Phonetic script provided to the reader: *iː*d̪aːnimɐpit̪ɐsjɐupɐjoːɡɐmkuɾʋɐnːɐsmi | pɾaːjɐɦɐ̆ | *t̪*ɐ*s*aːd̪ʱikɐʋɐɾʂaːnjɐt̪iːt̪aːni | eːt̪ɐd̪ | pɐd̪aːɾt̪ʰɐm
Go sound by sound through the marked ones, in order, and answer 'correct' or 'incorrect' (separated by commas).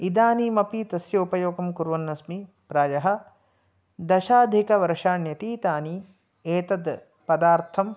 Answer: incorrect, incorrect, incorrect